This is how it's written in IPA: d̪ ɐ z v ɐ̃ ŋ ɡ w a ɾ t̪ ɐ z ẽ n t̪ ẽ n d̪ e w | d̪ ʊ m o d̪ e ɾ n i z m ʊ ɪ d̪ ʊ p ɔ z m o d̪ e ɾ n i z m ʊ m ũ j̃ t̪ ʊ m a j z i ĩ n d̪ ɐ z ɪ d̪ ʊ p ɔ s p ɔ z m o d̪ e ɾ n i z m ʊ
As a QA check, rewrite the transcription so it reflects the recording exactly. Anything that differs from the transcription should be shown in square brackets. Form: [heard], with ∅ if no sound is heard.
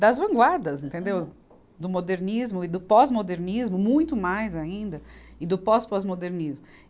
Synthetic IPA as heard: d̪ ɐ z v ɐ̃ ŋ ɡ w a ɾ [d̪] ɐ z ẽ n t̪ ẽ n d̪ e w | d̪ ʊ m o d̪ e ɾ n i z m ʊ ɪ d̪ ʊ p ɔ z m o d̪ e ɾ n i z m ʊ m ũ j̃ t̪ ʊ m a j z [a] ĩ n d̪ ɐ [∅] ɪ d̪ ʊ p ɔ s p ɔ z m o d̪ e ɾ n i z m ʊ